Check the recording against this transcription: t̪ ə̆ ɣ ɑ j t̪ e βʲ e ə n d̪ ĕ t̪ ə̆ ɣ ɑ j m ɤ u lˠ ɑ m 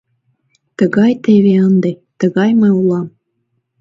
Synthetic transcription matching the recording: t̪ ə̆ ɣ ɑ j t̪ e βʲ e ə n d̪ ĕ t̪ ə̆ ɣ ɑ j m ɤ u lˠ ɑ m